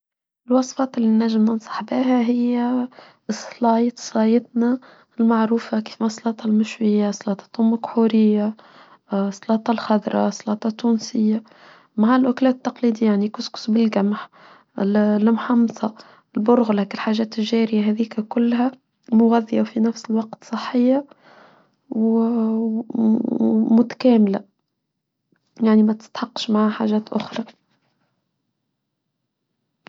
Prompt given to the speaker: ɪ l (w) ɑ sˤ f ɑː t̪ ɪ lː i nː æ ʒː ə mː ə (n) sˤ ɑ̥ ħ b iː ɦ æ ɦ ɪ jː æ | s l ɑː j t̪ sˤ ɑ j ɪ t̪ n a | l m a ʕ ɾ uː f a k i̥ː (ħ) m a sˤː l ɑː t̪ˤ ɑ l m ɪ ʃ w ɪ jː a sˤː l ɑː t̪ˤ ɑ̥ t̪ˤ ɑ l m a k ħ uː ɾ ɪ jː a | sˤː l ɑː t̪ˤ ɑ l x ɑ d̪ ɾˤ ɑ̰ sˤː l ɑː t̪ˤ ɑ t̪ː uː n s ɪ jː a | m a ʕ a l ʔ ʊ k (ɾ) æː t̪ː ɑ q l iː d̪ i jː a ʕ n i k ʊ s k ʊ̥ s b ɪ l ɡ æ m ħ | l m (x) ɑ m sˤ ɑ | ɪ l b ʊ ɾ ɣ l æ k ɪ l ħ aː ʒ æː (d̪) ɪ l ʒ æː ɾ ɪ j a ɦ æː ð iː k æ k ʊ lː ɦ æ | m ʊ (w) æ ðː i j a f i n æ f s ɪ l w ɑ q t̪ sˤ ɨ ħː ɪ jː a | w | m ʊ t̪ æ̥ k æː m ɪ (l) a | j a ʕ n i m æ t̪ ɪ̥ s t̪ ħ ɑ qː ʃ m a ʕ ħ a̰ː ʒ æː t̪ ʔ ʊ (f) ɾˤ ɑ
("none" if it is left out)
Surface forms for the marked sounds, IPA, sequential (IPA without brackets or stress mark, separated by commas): w, n, f, l, ħ, t̪, ɣ, l, x